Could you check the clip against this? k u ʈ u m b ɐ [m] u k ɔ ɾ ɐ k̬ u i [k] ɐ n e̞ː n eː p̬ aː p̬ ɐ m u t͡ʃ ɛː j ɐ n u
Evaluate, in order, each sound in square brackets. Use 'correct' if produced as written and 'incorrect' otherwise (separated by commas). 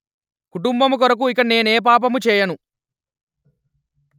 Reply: correct, correct